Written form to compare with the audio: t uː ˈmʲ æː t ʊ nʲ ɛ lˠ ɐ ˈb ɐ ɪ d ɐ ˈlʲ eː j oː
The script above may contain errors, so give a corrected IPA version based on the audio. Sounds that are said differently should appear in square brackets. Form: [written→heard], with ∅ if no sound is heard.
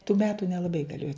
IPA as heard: t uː ˈmʲ æː t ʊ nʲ ɛ lˠ ɐ ˈb ɐ ɪ [d→ɡ] ɐ ˈlʲ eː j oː